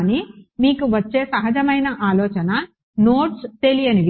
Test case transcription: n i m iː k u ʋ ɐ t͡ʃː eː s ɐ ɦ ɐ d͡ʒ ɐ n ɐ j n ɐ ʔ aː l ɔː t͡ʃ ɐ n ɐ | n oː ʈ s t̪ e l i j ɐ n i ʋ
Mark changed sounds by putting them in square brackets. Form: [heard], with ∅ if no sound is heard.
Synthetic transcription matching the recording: n i m iː k u ʋ ɐ t͡ʃː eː s ɐ ɦ ɐ d͡ʒ ɐ [m] ɐ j n ɐ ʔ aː l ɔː t͡ʃ ɐ n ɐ | n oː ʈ s t̪ e l i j ɐ n i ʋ